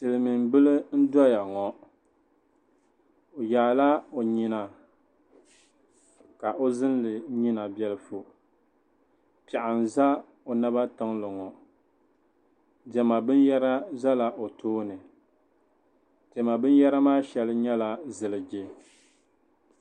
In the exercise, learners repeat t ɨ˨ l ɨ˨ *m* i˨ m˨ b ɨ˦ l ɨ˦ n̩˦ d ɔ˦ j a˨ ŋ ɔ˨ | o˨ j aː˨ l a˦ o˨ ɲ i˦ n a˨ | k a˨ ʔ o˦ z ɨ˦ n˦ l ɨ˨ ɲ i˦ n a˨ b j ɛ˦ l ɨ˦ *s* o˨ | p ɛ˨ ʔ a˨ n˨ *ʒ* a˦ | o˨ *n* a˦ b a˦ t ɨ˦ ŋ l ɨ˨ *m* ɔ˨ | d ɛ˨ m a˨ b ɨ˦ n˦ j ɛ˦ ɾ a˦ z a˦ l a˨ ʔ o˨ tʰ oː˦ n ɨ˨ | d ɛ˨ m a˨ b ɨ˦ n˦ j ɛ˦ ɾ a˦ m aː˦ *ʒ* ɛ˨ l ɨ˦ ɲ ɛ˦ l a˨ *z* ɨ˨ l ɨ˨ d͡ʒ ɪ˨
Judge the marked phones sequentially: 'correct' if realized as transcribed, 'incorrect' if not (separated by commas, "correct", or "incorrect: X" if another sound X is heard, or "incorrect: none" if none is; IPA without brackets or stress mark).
correct, incorrect: f, incorrect: z, correct, incorrect: ŋ, incorrect: ʃ, correct